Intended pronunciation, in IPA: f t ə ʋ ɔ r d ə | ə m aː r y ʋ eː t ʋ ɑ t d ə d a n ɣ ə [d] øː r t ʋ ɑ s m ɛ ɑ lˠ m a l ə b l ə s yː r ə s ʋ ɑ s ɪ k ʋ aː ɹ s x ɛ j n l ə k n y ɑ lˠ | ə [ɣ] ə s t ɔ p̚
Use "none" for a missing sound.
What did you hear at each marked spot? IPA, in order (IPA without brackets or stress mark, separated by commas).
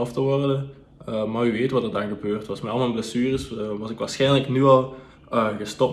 b, ɣ